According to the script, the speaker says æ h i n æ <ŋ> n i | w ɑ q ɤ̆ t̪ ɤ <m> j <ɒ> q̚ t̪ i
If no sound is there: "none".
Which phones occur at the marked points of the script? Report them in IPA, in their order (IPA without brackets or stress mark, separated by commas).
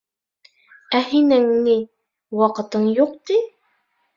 ŋ, ɴ, u